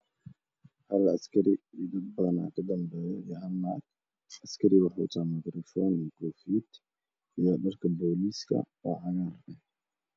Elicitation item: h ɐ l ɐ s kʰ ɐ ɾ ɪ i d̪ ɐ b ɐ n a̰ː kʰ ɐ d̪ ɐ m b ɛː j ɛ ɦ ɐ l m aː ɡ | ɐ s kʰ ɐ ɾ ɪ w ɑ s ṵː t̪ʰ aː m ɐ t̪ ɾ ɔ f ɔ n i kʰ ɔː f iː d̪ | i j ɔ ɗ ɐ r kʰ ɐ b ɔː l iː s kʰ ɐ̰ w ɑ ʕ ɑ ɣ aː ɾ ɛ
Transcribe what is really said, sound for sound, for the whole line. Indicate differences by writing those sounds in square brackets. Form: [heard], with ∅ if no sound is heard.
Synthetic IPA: h ɐ l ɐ s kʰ ɐ ɾ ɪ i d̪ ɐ b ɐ n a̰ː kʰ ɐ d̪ ɐ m b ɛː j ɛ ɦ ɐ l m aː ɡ | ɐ s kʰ ɐ ɾ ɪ w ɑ [ħ] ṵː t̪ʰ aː m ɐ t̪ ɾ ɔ f ɔ n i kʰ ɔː f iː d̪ | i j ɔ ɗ ɐ r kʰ ɐ b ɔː l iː s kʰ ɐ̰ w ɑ ʕ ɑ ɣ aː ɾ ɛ